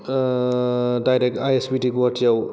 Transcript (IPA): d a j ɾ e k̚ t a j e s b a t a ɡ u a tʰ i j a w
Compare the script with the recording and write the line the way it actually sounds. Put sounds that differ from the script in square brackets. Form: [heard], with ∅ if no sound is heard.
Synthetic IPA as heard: d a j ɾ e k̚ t a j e s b [i] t [i] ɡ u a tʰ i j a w